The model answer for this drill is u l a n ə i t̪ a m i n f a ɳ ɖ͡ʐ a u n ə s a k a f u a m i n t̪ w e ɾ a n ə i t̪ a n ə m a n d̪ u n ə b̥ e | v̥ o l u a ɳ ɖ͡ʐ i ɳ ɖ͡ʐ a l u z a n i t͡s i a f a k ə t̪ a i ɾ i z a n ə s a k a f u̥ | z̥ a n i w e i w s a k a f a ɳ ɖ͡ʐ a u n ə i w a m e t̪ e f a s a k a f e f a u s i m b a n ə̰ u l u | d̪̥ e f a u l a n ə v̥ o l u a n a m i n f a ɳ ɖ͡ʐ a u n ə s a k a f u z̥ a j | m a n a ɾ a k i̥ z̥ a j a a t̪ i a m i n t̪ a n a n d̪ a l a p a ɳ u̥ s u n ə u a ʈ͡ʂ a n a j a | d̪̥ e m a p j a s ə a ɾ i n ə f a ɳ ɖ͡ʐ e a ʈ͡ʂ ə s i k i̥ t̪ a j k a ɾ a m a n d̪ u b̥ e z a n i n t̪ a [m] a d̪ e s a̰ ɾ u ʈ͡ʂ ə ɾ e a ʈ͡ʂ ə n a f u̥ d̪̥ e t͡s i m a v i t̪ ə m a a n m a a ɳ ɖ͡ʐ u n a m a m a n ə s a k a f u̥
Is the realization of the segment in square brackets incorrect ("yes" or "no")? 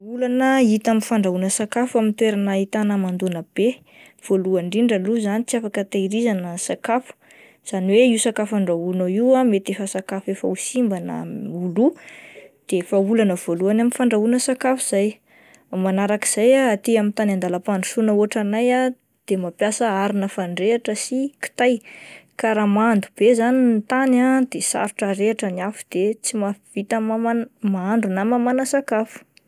yes